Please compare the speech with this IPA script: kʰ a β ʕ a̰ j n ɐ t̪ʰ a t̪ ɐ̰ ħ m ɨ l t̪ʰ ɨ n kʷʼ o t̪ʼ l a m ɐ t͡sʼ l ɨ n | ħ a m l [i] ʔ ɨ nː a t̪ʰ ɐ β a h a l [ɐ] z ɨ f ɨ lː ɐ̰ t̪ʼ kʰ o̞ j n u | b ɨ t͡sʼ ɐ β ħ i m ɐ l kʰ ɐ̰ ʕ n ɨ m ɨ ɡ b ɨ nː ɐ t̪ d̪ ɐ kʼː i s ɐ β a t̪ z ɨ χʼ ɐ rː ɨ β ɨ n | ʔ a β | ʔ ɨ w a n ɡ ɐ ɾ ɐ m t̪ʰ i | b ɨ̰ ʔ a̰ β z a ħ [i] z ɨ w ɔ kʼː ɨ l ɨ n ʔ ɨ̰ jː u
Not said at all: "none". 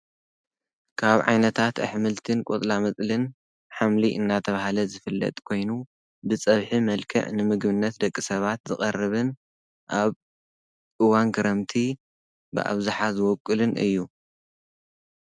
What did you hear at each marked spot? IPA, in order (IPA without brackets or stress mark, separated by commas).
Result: i, ɐ, a